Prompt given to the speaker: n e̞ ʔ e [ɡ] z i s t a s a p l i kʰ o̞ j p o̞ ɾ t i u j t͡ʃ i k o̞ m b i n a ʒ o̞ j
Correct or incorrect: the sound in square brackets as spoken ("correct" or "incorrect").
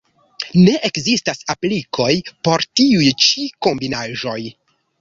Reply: incorrect